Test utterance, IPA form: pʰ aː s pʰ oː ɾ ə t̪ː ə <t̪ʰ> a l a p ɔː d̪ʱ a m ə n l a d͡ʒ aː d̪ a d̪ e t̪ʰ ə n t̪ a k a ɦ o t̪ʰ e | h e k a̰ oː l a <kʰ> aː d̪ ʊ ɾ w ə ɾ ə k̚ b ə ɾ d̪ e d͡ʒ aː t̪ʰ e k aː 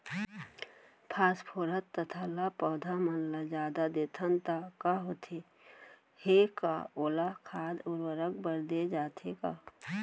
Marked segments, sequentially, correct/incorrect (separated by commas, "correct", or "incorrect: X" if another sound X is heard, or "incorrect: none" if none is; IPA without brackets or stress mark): correct, correct